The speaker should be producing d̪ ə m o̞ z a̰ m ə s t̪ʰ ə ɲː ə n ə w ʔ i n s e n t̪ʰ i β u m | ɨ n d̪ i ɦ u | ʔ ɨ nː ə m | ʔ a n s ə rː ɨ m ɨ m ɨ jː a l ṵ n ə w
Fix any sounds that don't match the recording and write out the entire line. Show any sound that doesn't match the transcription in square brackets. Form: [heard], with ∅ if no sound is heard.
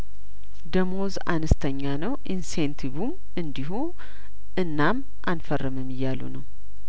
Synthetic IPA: d̪ ə m o̞ z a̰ [n] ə s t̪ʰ ə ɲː [a] n ə w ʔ i n s e n t̪ʰ i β u m | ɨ n d̪ i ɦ u | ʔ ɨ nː [a] m | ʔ a n [f] ə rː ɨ m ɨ m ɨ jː a l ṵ n ə w

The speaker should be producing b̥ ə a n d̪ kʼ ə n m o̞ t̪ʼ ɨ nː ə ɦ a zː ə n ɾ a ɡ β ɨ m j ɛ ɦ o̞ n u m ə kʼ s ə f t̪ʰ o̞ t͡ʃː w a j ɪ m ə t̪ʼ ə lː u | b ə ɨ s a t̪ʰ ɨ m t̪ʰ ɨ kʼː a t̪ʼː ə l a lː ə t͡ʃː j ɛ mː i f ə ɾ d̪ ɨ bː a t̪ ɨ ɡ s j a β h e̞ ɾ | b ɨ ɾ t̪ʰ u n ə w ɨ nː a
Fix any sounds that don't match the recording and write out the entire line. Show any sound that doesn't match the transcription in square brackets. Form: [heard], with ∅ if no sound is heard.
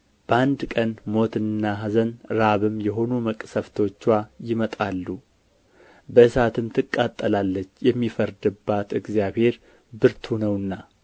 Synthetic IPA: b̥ ə a n d̪ kʼ ə n m o̞ [t̪] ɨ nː [a] ɦ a [z] ə n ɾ a [∅] β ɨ m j ɛ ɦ o̞ n u m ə kʼ s ə f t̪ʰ o̞ t͡ʃː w a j ɪ m ə t̪ʼ [a] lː u | b ə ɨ s a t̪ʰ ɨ m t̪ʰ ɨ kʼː a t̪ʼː ə l a lː ə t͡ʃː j ɛ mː i f ə ɾ d̪ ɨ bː a t̪ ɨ ɡ [z] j a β h e̞ ɾ | b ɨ ɾ t̪ʰ u n ə w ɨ nː a

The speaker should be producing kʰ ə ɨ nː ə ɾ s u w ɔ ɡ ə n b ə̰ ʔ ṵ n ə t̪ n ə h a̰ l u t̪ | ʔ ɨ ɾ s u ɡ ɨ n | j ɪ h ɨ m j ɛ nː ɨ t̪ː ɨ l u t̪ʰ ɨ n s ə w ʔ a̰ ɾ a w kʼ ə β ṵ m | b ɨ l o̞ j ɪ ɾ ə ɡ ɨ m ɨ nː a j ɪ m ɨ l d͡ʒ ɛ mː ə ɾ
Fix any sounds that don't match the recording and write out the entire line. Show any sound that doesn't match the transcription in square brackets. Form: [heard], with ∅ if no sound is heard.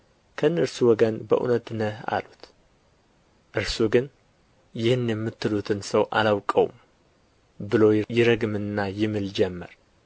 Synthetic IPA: kʰ ə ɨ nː ə ɾ s u w ɔ ɡ ə n b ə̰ ʔ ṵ n ə t̪ n ə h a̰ l u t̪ | ʔ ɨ ɾ s u ɡ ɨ n | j ɪ h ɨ [n] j ɛ [mː] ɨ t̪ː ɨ l u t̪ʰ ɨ n s ə w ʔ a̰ [l] a w kʼ ə [w] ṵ m | b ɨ l o̞ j ɪ ɾ ə ɡ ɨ m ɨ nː a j ɪ m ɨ l d͡ʒ ɛ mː ə ɾ

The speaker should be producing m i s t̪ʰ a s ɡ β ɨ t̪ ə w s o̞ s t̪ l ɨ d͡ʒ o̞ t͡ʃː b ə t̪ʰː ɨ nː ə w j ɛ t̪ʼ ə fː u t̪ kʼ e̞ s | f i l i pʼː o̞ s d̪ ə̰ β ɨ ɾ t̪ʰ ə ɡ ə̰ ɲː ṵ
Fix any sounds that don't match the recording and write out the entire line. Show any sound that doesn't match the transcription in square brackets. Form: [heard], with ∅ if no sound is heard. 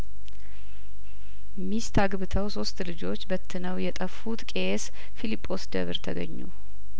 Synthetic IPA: m i s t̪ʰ a [∅] ɡ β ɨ [t̪ʰ] ə w s o̞ s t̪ l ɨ d͡ʒ o̞ t͡ʃː b ə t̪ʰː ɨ [n] ə w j ɛ t̪ʼ ə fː u t̪ kʼ e̞ s | f i l i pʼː o̞ s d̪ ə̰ β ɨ ɾ t̪ʰ ə ɡ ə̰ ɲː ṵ

